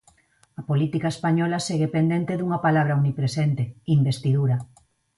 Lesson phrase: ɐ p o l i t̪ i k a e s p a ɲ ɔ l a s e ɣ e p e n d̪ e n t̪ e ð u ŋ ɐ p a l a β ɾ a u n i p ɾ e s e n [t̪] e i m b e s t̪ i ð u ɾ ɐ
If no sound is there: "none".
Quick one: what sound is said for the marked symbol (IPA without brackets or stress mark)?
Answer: t̪